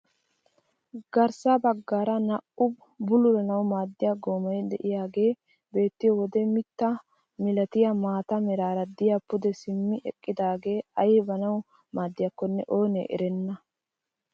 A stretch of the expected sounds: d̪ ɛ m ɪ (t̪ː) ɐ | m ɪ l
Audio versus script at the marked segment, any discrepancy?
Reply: no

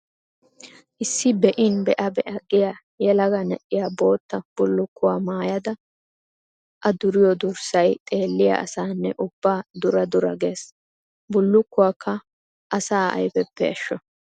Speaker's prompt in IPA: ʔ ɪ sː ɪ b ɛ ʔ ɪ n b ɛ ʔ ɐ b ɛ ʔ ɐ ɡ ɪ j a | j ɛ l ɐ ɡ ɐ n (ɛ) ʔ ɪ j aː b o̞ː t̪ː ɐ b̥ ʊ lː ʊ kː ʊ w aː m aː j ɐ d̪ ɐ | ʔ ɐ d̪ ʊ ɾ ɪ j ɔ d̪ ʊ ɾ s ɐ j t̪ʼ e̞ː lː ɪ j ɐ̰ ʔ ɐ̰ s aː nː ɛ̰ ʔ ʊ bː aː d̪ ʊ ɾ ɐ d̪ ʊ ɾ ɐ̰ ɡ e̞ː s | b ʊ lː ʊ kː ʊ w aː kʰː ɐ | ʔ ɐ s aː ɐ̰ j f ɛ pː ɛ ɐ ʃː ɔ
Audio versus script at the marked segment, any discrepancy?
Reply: no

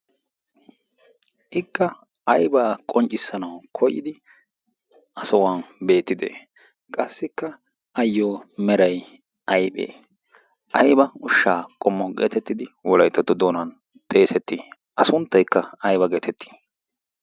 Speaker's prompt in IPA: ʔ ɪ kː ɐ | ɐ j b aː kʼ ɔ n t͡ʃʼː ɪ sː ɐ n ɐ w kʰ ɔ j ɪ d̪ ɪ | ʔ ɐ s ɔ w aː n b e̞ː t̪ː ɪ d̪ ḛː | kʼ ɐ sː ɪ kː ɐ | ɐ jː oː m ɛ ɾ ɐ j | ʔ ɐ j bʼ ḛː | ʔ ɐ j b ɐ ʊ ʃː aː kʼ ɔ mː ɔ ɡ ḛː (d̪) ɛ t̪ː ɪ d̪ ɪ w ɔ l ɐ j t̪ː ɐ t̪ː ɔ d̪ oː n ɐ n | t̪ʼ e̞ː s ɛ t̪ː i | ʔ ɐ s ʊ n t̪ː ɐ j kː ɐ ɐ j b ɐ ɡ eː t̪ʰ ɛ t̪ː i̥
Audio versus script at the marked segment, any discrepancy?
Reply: yes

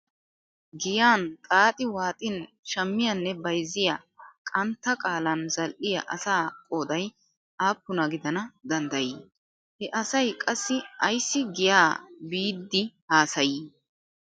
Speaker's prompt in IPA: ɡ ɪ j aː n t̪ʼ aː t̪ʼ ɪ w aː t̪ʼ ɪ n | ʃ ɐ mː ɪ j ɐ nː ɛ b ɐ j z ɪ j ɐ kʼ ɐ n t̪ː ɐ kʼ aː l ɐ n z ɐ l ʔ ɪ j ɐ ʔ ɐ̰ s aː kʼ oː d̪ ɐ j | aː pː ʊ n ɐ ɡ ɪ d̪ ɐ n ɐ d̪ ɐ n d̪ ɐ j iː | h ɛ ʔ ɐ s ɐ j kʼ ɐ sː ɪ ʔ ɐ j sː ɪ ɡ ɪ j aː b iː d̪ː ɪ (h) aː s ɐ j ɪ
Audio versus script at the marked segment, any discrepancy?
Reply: no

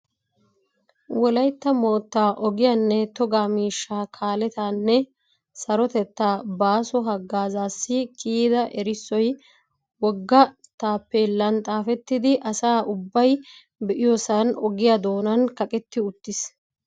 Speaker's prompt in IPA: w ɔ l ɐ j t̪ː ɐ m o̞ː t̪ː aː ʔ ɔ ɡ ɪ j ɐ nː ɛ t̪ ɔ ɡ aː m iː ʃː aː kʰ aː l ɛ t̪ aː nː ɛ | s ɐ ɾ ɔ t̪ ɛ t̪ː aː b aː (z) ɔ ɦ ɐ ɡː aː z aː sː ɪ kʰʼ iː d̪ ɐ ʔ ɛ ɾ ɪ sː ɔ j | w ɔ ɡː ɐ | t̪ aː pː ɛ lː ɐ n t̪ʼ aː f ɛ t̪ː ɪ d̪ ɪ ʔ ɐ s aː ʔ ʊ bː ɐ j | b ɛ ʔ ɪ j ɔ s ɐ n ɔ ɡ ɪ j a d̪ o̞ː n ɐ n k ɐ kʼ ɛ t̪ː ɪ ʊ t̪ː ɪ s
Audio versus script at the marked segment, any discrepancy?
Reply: yes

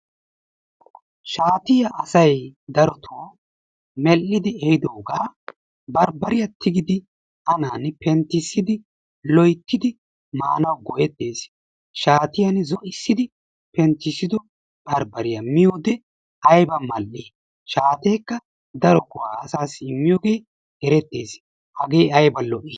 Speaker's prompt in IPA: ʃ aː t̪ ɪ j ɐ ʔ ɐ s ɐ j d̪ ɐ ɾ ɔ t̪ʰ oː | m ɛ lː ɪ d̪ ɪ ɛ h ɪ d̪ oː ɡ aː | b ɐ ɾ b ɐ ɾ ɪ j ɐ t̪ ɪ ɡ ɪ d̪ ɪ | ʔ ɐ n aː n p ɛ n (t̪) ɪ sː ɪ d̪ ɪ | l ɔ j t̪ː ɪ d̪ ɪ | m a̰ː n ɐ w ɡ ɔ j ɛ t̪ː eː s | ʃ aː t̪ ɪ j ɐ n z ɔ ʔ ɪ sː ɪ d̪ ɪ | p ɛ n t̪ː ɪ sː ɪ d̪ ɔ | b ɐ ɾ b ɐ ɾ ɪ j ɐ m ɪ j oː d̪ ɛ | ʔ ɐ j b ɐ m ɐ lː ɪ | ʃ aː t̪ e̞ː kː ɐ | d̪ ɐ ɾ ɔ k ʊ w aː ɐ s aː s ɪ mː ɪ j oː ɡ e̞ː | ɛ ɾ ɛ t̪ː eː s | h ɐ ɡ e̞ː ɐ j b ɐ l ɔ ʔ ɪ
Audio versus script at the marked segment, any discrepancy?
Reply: no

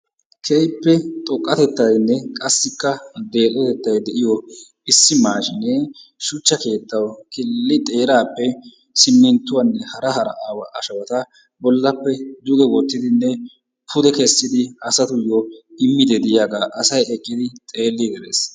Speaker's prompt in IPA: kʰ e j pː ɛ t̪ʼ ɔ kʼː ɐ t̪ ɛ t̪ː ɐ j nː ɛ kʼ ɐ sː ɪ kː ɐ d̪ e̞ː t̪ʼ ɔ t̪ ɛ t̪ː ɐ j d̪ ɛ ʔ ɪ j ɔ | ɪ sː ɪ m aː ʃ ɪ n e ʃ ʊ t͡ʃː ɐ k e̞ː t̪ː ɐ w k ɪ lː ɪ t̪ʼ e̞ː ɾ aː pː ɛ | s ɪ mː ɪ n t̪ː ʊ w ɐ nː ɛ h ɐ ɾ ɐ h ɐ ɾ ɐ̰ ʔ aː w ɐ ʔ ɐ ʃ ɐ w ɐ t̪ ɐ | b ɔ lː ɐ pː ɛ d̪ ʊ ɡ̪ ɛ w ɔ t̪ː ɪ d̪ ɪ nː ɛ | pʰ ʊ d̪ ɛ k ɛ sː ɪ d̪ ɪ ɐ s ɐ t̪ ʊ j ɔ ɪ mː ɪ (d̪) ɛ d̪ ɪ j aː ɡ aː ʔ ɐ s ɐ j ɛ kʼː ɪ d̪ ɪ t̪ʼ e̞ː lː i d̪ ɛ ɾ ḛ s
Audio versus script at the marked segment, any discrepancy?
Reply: no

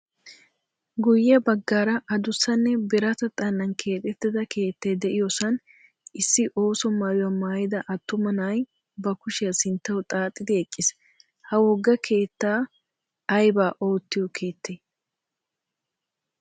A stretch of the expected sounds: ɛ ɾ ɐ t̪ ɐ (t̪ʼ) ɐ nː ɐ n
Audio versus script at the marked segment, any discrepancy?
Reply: no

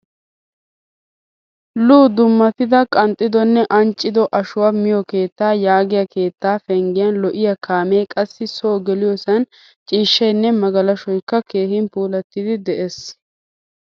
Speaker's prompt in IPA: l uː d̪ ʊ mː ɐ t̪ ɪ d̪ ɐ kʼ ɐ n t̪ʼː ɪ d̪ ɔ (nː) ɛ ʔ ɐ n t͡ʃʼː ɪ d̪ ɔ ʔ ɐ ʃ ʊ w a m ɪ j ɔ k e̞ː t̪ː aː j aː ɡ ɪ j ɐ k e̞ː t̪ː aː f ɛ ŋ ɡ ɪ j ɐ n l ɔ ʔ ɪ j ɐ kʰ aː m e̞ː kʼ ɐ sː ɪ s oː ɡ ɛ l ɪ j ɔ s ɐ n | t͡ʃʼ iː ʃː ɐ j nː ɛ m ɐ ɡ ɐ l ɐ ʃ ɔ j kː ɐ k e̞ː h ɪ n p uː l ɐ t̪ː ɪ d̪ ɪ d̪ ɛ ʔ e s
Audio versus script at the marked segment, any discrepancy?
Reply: no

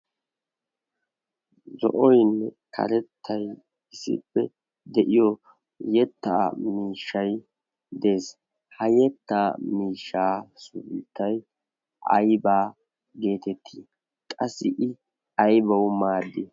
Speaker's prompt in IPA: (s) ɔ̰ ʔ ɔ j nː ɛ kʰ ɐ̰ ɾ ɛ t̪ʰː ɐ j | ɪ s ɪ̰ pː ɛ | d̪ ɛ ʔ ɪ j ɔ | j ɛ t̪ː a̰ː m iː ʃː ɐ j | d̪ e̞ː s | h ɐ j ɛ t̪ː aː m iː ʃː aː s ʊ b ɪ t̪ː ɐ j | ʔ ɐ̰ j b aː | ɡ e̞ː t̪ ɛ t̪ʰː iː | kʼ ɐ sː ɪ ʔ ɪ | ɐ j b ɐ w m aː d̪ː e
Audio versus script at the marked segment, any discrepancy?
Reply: yes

